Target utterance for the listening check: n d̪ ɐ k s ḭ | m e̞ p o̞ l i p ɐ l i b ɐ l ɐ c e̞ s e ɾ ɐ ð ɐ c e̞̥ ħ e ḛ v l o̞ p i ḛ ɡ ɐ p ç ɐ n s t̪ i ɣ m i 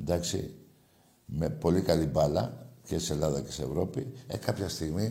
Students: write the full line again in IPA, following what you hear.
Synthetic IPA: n d̪ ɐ k s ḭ | m e̞ p o̞ l i k ɐ l i b ɐ l ɐ c e̞ s e l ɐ ð ɐ c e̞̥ s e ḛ v ɾ o̞ p i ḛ k ɐ p ç ɐ s t̪ i ɣ m i